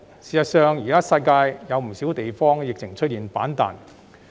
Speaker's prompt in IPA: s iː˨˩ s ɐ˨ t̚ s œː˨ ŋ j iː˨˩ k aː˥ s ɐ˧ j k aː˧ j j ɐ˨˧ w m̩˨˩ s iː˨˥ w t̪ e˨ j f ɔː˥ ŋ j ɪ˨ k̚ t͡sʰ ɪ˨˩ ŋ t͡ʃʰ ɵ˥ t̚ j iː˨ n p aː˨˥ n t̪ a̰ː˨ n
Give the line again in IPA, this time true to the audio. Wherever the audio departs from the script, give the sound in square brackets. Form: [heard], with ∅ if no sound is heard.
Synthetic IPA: s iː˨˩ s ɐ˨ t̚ s œː˨ ŋ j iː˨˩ k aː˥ s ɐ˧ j k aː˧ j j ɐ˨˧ w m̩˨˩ s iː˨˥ w t̪ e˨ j f ɔː˥ ŋ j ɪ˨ k̚ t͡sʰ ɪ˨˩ ŋ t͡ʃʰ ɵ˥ t̚ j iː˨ n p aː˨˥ n t̪ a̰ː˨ n